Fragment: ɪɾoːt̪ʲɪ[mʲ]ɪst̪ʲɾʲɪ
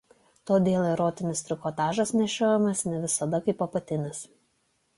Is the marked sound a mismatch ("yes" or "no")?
yes